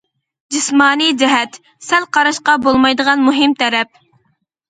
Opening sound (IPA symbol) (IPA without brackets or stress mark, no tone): d͡ʒ